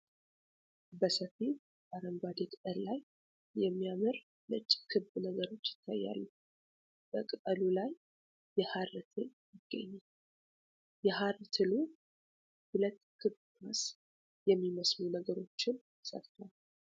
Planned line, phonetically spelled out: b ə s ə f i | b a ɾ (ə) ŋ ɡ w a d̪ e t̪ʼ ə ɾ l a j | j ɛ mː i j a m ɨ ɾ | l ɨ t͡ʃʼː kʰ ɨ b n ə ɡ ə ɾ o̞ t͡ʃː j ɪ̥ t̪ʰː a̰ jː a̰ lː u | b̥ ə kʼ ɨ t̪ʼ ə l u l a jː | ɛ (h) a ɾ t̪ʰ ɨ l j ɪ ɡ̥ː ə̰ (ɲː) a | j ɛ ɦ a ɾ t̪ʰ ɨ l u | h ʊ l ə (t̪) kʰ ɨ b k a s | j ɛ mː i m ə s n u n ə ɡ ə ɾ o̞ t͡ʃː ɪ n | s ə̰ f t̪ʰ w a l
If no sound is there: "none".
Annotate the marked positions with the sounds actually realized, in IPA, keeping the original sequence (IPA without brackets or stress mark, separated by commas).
ə, h, ɲː, t̪